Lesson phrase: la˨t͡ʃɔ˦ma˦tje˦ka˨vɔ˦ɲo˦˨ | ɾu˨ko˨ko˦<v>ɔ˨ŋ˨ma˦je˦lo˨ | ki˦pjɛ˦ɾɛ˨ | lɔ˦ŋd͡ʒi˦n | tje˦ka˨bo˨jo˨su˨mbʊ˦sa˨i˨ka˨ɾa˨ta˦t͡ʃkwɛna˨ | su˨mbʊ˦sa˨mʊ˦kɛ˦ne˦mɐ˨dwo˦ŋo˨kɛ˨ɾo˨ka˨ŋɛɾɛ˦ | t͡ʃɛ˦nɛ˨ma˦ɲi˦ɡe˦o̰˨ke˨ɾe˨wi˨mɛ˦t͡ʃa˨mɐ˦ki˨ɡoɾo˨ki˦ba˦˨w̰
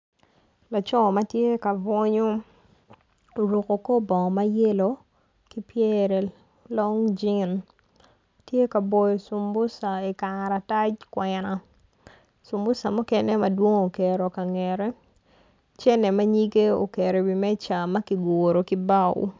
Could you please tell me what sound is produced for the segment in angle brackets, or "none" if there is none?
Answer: b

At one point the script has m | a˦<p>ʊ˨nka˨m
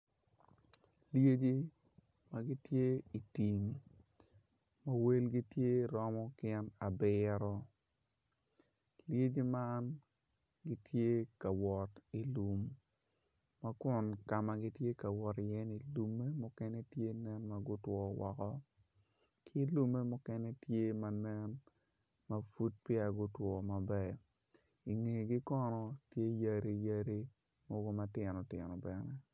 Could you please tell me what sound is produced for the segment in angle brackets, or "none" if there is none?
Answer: k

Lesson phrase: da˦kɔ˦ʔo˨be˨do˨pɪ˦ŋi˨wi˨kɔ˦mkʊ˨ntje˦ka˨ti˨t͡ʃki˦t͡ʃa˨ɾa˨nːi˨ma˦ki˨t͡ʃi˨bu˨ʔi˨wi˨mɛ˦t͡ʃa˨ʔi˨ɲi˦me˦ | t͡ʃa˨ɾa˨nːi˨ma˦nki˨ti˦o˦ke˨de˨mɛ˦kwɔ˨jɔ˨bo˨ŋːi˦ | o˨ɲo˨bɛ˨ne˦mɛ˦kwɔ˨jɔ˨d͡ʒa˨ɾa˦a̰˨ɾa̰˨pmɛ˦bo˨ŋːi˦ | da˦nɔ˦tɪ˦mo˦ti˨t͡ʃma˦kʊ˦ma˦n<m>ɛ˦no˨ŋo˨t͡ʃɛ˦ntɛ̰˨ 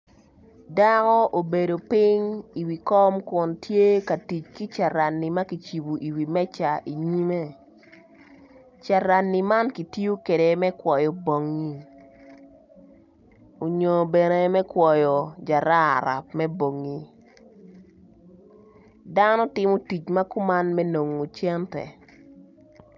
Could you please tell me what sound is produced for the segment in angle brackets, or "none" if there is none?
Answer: m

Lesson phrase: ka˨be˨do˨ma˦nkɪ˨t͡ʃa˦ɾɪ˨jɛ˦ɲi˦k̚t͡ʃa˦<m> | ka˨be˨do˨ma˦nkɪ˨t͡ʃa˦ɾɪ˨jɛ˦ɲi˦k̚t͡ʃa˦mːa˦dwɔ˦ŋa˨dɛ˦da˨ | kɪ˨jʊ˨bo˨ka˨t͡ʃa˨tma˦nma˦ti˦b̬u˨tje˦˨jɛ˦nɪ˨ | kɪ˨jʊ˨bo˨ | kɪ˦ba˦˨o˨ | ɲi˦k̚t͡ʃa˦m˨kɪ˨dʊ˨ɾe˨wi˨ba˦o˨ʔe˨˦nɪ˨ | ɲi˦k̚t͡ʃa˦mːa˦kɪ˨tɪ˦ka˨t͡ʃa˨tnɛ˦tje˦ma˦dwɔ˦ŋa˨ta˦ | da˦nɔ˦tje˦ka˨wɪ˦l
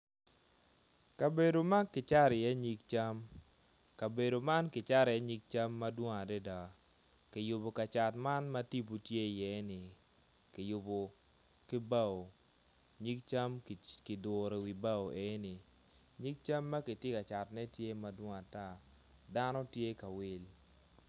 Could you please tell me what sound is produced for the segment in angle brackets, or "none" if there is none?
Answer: m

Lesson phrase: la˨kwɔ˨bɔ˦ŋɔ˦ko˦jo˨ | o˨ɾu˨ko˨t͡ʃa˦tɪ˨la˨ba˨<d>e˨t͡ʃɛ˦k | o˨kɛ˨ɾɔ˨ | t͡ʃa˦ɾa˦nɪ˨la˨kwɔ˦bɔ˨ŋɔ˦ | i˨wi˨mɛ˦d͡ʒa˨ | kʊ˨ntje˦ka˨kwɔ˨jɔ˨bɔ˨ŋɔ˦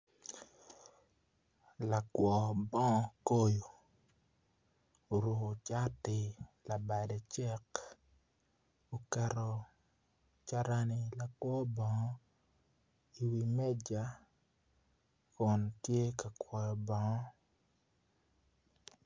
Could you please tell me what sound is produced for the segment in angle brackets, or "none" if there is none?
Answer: d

